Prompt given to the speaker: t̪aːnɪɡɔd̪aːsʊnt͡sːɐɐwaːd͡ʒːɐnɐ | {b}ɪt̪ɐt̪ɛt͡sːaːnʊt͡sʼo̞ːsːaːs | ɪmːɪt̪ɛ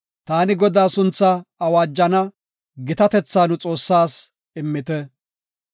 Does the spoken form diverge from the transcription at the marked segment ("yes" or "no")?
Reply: yes